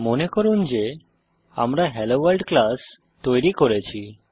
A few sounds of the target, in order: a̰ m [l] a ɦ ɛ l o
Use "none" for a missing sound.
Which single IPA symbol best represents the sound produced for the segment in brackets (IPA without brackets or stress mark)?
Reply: ɾ